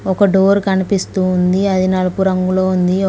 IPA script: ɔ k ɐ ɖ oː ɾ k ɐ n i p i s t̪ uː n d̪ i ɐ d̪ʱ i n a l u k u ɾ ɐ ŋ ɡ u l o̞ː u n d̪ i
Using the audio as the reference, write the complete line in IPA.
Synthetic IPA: ɔ k ɐ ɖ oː ɾ k ɐ n i p i s t̪ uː n d̪ i ɐ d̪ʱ i n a l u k u ɾ ɐ ŋ ɡ u l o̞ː u n d̪ i